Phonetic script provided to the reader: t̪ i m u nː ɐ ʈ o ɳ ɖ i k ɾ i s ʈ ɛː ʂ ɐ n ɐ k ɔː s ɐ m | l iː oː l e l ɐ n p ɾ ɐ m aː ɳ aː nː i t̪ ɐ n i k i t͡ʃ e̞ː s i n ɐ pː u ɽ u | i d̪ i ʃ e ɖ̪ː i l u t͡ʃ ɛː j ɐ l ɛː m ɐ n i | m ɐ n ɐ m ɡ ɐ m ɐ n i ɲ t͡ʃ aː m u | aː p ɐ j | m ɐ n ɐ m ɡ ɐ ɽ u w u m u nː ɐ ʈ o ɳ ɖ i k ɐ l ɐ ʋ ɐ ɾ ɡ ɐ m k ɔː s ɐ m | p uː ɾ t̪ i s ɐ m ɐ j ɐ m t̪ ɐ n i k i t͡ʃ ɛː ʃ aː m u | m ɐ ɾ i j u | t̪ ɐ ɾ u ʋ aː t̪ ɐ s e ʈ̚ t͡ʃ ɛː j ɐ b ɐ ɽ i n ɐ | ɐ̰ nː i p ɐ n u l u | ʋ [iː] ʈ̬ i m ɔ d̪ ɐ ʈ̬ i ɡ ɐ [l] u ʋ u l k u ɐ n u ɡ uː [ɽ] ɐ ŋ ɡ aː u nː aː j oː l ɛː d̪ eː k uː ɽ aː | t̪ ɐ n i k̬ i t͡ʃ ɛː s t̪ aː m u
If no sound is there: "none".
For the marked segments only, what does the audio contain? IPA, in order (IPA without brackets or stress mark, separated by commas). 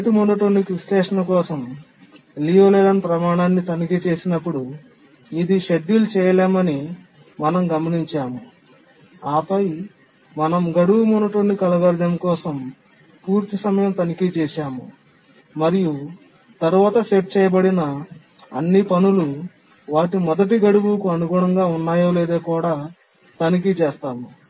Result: aː, ɽ, ɽ